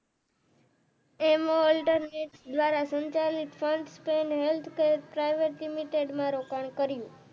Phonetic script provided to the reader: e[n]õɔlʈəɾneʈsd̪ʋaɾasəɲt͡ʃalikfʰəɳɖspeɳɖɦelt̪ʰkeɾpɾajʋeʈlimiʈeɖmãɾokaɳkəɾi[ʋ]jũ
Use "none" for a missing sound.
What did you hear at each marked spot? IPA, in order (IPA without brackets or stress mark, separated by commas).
m, none